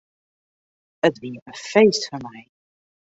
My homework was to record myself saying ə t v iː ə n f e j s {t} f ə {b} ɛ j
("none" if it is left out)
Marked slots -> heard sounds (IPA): t, m

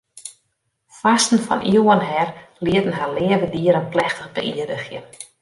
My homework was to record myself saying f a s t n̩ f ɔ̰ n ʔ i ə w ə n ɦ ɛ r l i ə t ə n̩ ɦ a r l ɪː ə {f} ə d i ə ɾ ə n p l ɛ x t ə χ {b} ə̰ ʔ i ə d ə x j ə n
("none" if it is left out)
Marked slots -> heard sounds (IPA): v, b

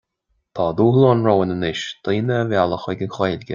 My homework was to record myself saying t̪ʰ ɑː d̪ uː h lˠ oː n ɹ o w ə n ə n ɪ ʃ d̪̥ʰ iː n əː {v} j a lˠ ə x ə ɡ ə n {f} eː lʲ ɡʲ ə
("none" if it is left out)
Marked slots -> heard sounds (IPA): v, x

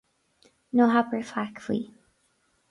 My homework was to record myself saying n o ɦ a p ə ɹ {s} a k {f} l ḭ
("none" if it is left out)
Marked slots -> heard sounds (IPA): f, f

